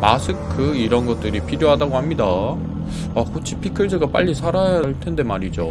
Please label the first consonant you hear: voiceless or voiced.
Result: voiced